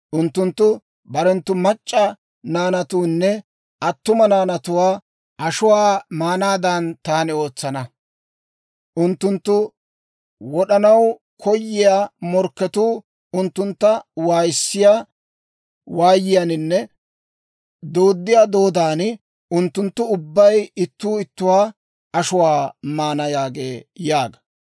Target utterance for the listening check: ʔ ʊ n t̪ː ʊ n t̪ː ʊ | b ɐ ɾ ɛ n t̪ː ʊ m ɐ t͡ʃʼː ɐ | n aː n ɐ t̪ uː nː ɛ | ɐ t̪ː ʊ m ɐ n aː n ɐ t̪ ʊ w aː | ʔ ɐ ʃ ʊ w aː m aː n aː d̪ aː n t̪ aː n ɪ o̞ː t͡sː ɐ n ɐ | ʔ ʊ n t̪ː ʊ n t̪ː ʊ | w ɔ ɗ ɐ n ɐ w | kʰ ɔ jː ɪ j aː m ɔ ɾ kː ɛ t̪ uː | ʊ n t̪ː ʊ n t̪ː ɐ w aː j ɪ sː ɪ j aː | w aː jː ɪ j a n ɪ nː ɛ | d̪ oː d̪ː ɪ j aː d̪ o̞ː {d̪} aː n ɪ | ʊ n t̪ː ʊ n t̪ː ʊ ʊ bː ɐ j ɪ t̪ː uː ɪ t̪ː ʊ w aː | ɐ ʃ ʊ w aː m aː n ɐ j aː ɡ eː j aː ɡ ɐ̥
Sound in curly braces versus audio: correct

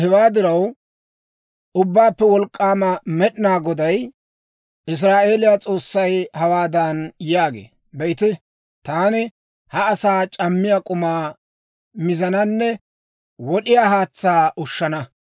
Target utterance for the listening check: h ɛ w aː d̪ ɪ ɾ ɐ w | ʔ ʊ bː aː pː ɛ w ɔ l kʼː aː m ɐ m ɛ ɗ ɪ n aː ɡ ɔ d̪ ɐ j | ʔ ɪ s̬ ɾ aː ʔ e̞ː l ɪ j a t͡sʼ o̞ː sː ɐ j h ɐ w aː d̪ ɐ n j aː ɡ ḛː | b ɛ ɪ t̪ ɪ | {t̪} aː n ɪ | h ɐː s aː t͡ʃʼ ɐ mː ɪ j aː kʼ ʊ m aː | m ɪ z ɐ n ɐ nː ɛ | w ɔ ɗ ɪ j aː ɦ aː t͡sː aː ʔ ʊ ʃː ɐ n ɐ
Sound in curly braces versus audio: correct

